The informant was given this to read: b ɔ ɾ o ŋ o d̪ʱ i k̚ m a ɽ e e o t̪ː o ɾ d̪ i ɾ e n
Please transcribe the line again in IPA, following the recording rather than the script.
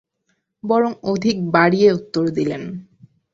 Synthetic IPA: b ɔ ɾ o ŋ o d̪ʱ i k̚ b a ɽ i e u t̪ː o ɾ d̪ i l e n